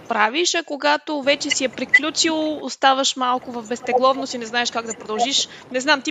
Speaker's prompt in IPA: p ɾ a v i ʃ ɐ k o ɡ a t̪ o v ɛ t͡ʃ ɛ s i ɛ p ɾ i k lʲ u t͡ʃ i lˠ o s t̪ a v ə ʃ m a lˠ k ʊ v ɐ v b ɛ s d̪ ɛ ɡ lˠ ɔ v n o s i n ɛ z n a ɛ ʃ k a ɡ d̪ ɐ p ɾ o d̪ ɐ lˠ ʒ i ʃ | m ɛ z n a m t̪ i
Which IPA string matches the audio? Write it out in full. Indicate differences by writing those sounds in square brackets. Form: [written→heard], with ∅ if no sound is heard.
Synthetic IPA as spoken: p ɾ a v i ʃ ɐ k o ɡ a t̪ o v ɛ t͡ʃ ɛ s i ɛ p ɾ i k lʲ u t͡ʃ i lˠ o s t̪ a v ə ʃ m a lˠ k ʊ v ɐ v b ɛ s [d̪→t̪] ɛ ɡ lˠ ɔ v n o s i n ɛ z n a ɛ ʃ k a ɡ d̪ ɐ p ɾ o d̪ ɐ lˠ ʒ i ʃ | [m→n] ɛ z n a m t̪ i